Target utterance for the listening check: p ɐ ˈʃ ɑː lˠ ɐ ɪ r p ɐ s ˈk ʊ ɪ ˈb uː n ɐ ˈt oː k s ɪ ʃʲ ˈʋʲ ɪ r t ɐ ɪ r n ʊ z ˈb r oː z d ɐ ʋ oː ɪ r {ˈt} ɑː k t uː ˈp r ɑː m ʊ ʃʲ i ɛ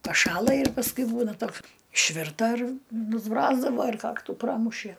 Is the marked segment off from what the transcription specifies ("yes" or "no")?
yes